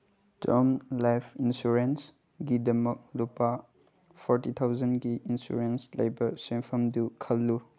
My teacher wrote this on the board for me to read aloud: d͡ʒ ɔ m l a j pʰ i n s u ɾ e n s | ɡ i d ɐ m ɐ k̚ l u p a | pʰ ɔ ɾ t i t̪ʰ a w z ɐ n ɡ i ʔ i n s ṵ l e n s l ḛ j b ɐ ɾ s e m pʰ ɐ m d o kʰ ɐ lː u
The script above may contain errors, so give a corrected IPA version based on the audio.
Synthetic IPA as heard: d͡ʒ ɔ m l a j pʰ i n s u ɾ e n s | ɡ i d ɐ m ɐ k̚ l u p a | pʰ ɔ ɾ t i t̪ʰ a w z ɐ n ɡ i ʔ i n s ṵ ɾ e n s l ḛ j b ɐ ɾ s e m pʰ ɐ m d u kʰ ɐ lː u